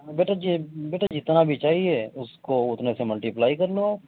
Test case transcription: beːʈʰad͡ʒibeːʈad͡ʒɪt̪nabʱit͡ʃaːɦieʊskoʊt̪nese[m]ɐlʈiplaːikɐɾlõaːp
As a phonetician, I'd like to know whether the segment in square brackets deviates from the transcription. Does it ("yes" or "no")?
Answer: no